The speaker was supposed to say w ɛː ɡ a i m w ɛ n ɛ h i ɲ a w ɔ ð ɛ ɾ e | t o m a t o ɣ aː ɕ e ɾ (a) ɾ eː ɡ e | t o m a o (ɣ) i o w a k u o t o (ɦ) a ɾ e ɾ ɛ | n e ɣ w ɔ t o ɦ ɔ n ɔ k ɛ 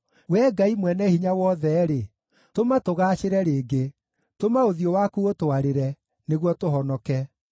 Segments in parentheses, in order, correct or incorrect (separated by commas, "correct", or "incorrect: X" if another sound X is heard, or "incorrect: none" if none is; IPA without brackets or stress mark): incorrect: ɛ, incorrect: ð, incorrect: none